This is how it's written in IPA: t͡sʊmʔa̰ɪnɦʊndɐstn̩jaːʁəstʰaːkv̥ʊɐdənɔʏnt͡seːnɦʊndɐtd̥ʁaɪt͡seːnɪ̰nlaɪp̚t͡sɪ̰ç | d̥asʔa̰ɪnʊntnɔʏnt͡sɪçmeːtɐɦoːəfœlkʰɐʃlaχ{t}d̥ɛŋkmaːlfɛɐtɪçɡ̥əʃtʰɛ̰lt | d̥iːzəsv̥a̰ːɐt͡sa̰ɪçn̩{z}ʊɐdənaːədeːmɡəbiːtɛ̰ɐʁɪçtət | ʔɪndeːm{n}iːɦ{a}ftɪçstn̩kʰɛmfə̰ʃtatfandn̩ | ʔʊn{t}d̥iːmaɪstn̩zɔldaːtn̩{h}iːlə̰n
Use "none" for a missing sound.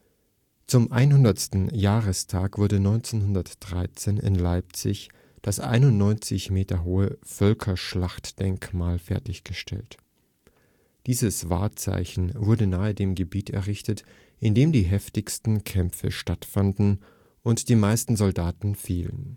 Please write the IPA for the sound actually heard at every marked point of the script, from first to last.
t, v, d, ɛ, t, f

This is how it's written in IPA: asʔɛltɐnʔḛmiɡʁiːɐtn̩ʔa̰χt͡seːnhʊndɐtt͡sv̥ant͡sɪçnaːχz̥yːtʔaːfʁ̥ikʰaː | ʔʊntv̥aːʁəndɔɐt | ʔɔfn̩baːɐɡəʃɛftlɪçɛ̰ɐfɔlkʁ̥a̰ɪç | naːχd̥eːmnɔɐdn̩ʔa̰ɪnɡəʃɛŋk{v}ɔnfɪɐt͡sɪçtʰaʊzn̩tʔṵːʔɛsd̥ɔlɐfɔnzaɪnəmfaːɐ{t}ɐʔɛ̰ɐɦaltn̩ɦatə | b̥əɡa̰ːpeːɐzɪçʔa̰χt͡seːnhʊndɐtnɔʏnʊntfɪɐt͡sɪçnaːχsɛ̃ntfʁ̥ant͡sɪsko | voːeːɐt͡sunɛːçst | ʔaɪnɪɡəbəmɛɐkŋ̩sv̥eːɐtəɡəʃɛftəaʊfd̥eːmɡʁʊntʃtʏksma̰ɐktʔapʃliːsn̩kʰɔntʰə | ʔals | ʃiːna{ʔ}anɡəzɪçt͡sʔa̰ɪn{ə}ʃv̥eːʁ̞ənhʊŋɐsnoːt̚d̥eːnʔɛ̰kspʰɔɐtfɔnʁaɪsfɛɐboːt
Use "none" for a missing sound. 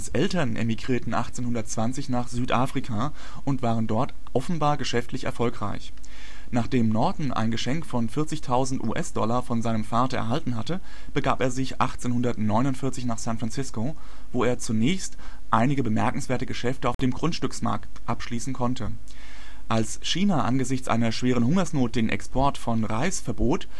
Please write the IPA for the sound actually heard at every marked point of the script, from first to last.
f, t, ʔ, ɐ

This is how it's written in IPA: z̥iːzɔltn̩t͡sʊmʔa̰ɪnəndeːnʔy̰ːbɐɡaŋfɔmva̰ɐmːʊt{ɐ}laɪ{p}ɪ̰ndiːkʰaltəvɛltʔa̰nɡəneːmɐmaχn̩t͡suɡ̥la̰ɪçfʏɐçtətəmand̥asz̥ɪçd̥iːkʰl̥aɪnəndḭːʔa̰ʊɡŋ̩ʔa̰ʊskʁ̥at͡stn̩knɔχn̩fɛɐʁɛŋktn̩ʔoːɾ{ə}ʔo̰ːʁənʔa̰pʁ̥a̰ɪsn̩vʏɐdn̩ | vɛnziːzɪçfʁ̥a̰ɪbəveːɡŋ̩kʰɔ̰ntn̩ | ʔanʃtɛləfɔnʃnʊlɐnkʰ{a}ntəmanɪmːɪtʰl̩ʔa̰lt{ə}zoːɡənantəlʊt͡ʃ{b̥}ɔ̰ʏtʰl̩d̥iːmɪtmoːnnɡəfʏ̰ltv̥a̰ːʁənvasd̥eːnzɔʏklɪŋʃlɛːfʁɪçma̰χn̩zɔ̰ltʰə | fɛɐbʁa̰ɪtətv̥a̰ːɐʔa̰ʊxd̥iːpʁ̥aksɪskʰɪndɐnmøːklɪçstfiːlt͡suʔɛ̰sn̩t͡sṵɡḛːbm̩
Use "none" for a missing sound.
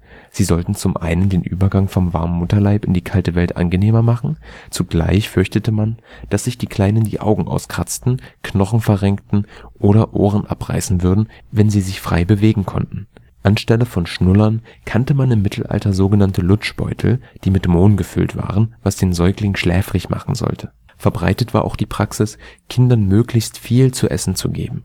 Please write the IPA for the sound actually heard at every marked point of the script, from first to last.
ɐ, p, ɐ, a, ɐ, b̥

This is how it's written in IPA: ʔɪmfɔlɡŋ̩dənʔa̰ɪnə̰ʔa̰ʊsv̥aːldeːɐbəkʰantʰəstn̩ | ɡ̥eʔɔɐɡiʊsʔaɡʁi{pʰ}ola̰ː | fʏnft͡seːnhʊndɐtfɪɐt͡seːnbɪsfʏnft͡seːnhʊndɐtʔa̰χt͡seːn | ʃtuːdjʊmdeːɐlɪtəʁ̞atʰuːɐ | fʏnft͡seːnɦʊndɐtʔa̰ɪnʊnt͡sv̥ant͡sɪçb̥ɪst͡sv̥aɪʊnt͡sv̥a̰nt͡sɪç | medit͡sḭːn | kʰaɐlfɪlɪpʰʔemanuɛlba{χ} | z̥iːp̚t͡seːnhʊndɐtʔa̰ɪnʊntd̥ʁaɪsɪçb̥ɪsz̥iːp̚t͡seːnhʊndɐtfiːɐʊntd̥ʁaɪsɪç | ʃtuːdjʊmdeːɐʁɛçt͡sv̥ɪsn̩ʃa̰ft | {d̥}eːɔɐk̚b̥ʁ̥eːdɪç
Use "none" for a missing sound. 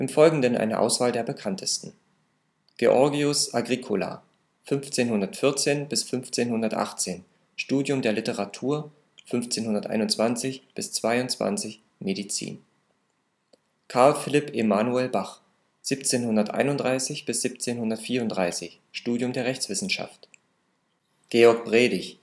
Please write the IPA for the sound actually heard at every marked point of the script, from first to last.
kʰ, χ, ɡ̥

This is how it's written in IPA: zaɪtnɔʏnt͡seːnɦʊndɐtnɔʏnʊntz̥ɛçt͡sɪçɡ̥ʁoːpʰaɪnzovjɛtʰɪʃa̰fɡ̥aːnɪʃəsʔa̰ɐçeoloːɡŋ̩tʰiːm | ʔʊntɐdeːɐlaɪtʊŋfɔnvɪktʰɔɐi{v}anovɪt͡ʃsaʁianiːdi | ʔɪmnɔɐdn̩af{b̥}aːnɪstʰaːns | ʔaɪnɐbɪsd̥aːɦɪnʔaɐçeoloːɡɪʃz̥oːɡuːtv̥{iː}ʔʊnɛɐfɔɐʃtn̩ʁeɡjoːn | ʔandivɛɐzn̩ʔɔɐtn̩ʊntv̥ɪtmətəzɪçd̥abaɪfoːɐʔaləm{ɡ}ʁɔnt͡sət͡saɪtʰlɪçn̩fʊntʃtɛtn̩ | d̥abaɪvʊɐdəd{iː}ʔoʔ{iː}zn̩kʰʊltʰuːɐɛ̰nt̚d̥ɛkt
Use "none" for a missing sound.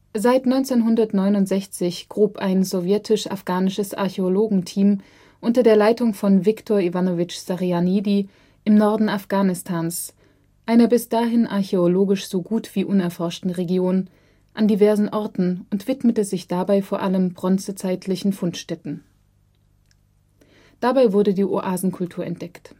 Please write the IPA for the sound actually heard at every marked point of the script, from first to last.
v, ɡ̥, iː, b, iː, aː

